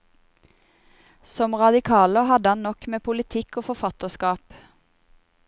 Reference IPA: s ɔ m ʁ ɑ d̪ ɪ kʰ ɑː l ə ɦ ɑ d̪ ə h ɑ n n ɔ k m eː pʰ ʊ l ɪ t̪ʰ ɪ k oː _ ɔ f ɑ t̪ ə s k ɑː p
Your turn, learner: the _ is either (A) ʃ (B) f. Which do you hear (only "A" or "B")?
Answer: B